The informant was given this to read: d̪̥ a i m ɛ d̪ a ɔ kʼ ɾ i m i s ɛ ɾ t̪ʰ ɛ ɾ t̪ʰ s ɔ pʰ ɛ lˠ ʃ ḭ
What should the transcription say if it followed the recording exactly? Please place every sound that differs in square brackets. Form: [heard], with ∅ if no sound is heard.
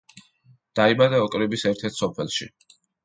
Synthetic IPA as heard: d̪̥ a i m [a] d̪ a ɔ kʼ ɾ i [b] i s ɛ ɾ t̪ʰ ɛ ɾ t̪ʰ s ɔ pʰ ɛ lˠ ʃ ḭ